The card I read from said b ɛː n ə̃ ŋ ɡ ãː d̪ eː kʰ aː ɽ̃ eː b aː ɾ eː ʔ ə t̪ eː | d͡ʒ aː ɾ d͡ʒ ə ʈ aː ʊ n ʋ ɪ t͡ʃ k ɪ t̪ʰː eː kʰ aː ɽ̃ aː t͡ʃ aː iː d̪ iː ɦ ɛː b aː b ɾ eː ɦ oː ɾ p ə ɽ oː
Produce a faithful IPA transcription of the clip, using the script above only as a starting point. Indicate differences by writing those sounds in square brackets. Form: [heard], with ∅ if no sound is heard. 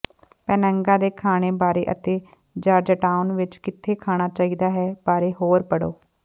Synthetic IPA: [p] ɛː n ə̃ ŋ ɡ ãː d̪ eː kʰ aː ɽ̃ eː b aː ɾ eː ʔ ə t̪ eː | d͡ʒ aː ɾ d͡ʒ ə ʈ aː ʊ n ʋ ɪ t͡ʃ k ɪ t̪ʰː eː kʰ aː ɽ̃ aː t͡ʃ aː iː d̪ [aː] ɦ ɛː b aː [∅] ɾ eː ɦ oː ɾ p ə ɽ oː